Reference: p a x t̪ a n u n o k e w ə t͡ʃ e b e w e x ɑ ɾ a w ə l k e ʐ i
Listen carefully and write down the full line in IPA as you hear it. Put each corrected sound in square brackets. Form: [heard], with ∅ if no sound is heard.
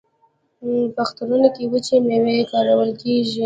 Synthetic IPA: p a x t̪ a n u n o k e w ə t͡ʃ e [m] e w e [k] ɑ ɾ a w ə l k e [ʒ] i